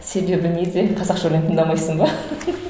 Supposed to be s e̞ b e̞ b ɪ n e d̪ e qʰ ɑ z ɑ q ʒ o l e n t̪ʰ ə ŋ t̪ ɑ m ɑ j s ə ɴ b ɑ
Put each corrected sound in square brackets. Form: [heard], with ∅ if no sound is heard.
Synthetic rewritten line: s e̞ b e̞ b ɪ n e d̪ e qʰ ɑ z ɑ q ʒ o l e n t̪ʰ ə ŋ [d̪] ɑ m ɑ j s ə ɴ b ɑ

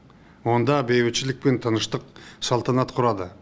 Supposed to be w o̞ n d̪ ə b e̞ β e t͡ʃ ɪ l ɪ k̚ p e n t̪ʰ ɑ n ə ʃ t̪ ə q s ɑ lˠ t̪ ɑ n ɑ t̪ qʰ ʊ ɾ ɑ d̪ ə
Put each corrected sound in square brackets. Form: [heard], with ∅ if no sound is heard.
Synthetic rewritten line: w o̞ n d̪ [ɑ] b e̞ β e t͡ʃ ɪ l ɪ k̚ p e n t̪ʰ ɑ n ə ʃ t̪ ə q s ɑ lˠ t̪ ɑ n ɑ t̪ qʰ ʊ ɾ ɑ d̪ ə

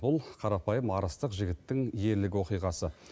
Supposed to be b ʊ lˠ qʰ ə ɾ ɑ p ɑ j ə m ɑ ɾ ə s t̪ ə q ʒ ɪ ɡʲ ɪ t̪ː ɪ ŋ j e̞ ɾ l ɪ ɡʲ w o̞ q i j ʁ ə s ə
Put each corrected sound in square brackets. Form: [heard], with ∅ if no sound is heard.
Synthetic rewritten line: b ʊ lˠ qʰ [ɑ] ɾ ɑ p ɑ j ə m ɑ ɾ ə s t̪ ə q ʒ ɪ ɡʲ ɪ t̪ː ɪ ŋ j e̞ ɾ l ɪ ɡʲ w o̞ q i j ʁ [ɑ] s ə

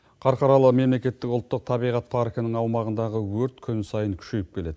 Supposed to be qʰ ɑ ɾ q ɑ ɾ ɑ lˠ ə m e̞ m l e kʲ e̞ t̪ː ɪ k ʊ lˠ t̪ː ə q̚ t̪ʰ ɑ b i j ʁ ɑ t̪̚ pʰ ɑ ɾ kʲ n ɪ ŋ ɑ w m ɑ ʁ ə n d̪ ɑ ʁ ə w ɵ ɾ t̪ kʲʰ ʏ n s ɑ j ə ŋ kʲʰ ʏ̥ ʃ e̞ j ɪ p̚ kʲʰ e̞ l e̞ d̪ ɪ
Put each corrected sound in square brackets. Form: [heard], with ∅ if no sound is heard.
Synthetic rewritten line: qʰ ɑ ɾ q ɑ ɾ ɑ lˠ ə m e̞ m l e kʲ e̞ t̪ː ɪ k ʊ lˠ t̪ː ə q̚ t̪ʰ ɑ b i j ʁ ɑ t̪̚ pʰ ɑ ɾ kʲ n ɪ ŋ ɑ w m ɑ ʁ ə n d̪ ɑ ʁ ə w ɵ ɾ t̪ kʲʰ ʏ n s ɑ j ə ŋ kʲʰ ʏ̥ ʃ e̞ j ɪ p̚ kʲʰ e̞ l e̞ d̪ ɪ

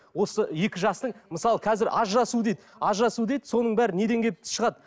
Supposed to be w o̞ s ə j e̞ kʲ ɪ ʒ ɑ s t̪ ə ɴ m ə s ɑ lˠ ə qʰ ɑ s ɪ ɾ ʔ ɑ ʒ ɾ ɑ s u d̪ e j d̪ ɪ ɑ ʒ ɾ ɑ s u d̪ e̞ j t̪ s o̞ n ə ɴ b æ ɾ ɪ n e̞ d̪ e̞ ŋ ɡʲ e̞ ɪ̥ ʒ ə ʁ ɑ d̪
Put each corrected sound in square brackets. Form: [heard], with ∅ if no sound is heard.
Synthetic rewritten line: w o̞ s ə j e̞ kʲ ɪ ʒ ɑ s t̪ ə ɴ m ə s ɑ lˠ ə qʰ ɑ [z] ɪ ɾ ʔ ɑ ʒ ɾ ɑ s u d̪ e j d̪ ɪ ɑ ʒ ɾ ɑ s u d̪ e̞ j [d̪] s o̞ n ə ɴ b æ ɾ ɪ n e̞ d̪ e̞ ŋ ɡʲ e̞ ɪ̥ [ʃ] ə ʁ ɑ d̪

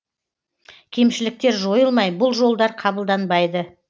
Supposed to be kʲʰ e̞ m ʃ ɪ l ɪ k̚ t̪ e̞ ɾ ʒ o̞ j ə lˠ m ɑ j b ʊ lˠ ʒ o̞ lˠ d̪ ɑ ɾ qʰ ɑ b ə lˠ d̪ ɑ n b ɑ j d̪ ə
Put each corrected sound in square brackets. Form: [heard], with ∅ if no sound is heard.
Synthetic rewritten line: kʲʰ e̞ m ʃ ɪ l ɪ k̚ t̪ e̞ ɾ ʒ o̞ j ə lˠ m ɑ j b ʊ lˠ ʒ o̞ lˠ d̪ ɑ ɾ qʰ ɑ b ə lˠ d̪ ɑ n b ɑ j d̪ ə

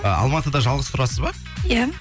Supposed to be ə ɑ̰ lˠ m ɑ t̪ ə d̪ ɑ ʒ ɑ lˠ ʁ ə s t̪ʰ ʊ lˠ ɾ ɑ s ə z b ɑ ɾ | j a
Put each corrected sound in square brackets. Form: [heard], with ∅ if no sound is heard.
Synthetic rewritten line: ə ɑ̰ lˠ m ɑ t̪ ə d̪ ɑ ʒ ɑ lˠ ʁ ə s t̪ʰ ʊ [∅] ɾ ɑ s ə z b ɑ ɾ | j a

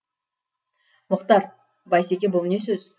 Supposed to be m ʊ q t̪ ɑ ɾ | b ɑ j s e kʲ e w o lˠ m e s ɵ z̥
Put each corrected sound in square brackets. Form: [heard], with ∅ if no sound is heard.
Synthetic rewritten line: m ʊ q t̪ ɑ ɾ | b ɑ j s e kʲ e [b] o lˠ [n] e s ɵ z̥

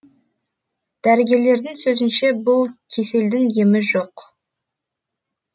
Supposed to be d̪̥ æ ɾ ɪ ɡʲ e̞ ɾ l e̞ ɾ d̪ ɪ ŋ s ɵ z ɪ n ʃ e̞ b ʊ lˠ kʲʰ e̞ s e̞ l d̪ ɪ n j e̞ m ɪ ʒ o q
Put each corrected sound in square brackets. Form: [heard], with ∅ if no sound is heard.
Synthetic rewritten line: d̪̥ æ ɾ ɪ ɡʲ e̞ ɾ l e̞ ɾ d̪ ɪ ŋ s ɵ z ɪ n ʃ e̞ b ʊ lˠ kʲʰ e̞ s e̞ l d̪ ɪ [ŋ] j e̞ m ɪ ʒ o q

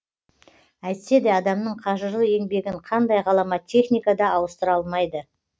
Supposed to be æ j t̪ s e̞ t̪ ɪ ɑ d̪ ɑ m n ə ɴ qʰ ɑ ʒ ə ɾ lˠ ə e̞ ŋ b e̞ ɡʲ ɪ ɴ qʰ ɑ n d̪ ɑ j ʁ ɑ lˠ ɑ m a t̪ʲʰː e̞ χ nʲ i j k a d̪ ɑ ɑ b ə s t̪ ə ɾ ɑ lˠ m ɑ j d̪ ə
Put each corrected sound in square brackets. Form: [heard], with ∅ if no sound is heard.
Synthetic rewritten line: æ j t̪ s e̞ [d̪] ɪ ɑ d̪ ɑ m n ə ɴ qʰ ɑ ʒ ə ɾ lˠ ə e̞ ŋ b e̞ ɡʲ ɪ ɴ qʰ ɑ n d̪ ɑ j ʁ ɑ lˠ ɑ m [ɑ] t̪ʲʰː e̞ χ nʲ i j k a d̪ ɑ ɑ [w] ə s t̪ ə ɾ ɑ lˠ m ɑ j d̪ ə

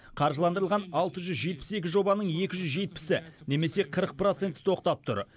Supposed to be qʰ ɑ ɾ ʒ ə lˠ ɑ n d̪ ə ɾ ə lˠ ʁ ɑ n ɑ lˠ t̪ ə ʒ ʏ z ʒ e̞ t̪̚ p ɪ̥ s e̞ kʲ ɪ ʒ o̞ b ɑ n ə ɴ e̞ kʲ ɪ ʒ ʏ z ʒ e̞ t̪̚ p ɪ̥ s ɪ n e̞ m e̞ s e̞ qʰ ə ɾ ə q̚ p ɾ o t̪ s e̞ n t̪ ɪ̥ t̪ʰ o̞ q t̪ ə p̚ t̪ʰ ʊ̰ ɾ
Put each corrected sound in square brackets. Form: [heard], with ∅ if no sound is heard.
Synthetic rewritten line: qʰ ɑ ɾ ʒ ə lˠ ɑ n d̪ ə ɾ ə lˠ ʁ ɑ n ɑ lˠ t̪ ə ʒ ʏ z ʒ e̞ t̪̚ p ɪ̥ s e̞ kʲ ɪ ʒ o̞ b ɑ n ə ɴ e̞ kʲ ɪ ʒ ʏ z ʒ e̞ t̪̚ p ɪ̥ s ɪ n e̞ m e̞ s e̞ qʰ ə ɾ ə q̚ p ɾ o t̪ s e̞ n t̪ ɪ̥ t̪ʰ o̞ q t̪ [ɑ] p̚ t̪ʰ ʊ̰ ɾ

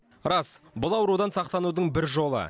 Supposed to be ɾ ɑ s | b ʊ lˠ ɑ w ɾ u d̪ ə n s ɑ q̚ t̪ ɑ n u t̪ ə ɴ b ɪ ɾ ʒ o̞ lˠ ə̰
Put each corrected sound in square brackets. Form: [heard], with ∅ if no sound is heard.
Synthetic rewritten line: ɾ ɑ s | b ʊ lˠ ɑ w ɾ u d̪ [ɑ] n s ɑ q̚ t̪ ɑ n u [d̪] ə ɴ b ɪ ɾ ʒ o̞ lˠ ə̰

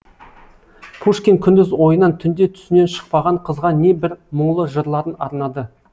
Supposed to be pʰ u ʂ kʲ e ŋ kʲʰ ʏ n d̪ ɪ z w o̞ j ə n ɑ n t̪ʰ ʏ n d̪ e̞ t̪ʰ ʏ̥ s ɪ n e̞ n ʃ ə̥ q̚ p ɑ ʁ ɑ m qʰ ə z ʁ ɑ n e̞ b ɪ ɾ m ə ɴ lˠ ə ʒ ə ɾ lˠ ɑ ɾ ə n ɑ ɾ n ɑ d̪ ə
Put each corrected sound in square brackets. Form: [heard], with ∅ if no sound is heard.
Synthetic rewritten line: pʰ u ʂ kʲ e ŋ kʲʰ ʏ n d̪ ɪ z w o̞ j ə n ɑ n t̪ʰ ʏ n d̪ e̞ t̪ʰ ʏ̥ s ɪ n e̞ n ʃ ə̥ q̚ p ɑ ʁ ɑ [ɴ] qʰ ə z ʁ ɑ n e̞ b ɪ ɾ m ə ɴ lˠ ə ʒ ə ɾ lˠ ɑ ɾ ə n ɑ ɾ n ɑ d̪ ə

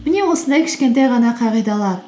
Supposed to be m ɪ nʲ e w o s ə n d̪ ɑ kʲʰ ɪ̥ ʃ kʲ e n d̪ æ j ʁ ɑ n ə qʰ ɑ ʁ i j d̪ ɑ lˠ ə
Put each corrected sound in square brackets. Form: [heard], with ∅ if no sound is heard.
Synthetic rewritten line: m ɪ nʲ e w o s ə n d̪ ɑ kʲʰ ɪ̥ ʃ kʲ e n [t̪] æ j ʁ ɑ n [ɑ] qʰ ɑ ʁ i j d̪ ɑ lˠ [ɑ]

